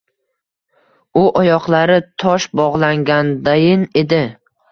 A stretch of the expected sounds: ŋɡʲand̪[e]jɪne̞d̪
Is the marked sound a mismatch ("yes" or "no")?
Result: yes